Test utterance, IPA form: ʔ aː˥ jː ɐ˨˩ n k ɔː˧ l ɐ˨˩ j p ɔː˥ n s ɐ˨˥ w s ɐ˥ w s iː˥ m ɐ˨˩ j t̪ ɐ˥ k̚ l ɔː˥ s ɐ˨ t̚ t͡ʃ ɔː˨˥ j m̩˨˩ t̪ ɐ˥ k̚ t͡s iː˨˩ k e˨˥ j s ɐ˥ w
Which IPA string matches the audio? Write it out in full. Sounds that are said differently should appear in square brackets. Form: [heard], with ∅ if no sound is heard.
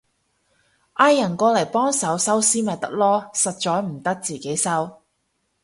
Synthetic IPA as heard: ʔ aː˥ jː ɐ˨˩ n k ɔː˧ l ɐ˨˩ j p ɔː˥ [ŋ] s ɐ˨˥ w s ɐ˥ w s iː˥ m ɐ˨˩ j t̪ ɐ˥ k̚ l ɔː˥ s ɐ˨ t̚ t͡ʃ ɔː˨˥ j m̩˨˩ t̪ ɐ˥ k̚ t͡s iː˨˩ k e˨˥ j s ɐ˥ w